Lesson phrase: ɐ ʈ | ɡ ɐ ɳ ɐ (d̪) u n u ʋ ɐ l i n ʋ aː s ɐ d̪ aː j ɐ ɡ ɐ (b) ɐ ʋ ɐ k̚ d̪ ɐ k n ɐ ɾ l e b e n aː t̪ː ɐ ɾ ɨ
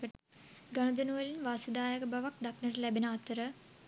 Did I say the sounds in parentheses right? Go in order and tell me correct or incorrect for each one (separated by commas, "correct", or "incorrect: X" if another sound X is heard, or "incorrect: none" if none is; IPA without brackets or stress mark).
correct, correct